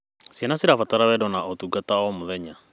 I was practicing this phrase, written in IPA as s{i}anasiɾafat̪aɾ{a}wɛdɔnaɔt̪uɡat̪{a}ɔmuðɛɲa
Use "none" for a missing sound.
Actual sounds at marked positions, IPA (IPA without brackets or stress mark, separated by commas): i, a, a